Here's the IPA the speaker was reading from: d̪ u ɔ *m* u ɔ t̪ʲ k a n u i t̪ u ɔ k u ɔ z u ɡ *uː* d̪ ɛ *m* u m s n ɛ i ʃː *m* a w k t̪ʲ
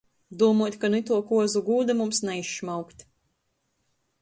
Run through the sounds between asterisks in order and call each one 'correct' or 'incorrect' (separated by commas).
correct, correct, correct, correct